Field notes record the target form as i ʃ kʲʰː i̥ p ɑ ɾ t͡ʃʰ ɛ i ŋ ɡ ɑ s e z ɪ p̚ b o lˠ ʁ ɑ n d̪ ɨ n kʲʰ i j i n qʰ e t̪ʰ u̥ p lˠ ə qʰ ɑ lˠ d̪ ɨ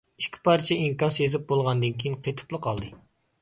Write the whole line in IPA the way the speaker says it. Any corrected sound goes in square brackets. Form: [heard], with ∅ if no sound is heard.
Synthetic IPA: i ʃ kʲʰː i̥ p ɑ ɾ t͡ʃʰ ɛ i ŋ [k] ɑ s e z ɪ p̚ b o lˠ ʁ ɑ n d̪ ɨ n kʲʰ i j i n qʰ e t̪ʰ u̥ p lˠ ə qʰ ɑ lˠ d̪ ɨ